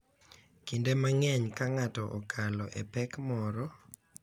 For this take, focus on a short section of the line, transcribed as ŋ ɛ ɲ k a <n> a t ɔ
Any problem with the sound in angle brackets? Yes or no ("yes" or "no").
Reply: yes